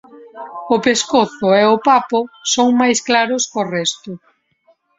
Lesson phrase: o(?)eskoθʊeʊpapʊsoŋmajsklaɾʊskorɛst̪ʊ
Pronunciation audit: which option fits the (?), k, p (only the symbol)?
p